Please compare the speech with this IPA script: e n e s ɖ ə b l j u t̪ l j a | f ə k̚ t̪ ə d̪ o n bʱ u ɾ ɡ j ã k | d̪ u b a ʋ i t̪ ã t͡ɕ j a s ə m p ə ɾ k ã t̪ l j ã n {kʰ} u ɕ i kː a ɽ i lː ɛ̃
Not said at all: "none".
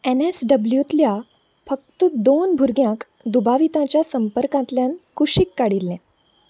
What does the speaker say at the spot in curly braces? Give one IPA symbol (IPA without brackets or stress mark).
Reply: k